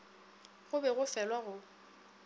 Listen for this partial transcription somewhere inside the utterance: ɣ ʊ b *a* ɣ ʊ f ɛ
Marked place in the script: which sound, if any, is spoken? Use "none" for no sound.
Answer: ɛ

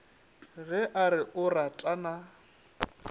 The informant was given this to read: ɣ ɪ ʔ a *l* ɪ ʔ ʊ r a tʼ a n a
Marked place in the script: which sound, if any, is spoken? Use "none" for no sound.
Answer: ɾ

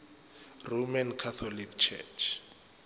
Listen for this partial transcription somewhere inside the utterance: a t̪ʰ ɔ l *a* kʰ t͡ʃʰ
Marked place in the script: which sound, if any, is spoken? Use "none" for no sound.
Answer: i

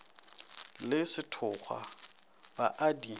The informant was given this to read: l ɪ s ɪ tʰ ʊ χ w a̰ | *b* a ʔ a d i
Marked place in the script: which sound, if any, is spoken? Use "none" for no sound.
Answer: b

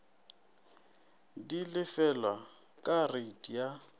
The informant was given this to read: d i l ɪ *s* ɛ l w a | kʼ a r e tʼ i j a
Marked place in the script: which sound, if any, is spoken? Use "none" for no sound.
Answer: f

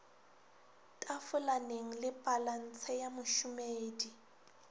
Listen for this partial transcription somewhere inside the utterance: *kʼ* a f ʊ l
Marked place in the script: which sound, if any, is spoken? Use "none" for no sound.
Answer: tʼ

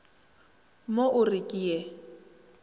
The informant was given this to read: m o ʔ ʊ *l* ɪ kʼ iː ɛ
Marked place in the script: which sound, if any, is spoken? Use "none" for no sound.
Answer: r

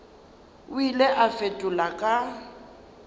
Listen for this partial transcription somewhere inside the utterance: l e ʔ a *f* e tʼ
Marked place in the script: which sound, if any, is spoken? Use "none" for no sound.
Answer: f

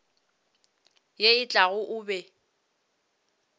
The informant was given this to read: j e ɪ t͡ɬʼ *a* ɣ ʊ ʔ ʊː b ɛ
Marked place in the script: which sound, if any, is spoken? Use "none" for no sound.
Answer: a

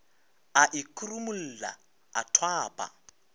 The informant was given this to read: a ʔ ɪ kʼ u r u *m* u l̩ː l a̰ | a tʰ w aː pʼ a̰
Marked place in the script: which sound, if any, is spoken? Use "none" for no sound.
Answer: m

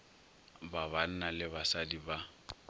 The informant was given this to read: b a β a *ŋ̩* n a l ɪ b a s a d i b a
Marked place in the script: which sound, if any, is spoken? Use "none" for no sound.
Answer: n̩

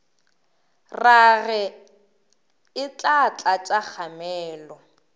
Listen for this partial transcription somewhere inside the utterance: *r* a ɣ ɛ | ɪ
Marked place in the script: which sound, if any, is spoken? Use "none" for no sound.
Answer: r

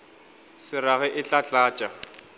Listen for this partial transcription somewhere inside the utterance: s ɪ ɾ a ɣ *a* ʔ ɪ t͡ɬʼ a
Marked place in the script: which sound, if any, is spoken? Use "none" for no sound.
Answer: ɛ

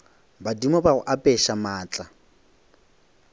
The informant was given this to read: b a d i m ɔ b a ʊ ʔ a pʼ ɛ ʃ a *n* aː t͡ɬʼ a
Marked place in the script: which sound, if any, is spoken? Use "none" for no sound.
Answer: m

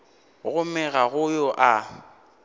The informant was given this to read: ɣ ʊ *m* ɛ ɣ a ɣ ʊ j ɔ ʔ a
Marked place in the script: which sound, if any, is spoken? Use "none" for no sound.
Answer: m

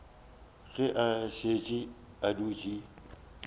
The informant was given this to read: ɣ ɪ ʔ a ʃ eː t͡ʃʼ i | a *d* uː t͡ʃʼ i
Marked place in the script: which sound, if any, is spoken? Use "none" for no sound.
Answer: d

